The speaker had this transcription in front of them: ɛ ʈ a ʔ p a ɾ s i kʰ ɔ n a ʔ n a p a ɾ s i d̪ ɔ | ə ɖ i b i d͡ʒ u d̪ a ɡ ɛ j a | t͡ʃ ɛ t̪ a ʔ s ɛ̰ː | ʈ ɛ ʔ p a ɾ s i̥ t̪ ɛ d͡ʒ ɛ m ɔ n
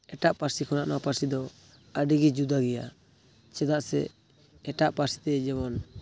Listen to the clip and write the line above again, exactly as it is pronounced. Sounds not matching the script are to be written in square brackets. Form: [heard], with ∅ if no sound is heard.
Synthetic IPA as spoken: ɛ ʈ a ʔ p a ɾ s i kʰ ɔ n a ʔ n a p a ɾ s i d̪ ɔ | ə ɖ i [ɡ] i d͡ʒ u d̪ a ɡ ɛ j a | t͡ʃ ɛ [d̪] a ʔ s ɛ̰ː | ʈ [a] ʔ p a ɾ s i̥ t̪ ɛ d͡ʒ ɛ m ɔ n